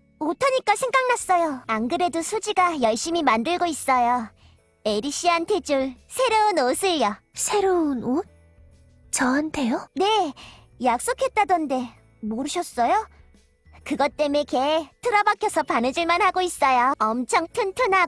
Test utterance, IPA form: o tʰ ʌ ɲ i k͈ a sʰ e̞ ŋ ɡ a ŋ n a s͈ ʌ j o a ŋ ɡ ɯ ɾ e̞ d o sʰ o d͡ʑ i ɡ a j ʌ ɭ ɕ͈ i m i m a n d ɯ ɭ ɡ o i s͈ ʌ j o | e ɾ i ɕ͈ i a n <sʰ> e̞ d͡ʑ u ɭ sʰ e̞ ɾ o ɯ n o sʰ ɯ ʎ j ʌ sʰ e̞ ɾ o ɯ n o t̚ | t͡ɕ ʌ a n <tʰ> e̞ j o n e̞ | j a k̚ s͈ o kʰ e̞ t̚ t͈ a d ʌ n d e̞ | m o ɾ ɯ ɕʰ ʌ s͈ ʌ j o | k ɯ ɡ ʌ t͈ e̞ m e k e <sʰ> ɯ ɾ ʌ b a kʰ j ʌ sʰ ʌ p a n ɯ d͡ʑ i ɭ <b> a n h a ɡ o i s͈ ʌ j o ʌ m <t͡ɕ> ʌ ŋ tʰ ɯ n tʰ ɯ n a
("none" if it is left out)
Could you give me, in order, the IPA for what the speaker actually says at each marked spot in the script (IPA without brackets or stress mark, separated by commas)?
tʰ, tʰ, tʰ, m, t͡ɕʰ